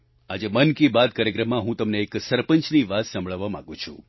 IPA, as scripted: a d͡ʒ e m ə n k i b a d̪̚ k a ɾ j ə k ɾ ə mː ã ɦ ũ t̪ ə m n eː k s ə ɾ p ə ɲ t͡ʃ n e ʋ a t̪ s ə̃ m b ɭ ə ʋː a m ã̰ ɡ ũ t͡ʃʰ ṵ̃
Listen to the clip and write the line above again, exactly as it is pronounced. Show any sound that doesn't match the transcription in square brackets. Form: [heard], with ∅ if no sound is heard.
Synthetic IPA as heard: a d͡ʒ e m ə n k i b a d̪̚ k a ɾ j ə k ɾ ə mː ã ɦ ũ t̪ ə m n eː k s ə ɾ p ə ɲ t͡ʃ n [i] ʋ a t̪ s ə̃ m b ɭ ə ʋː a m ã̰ ɡ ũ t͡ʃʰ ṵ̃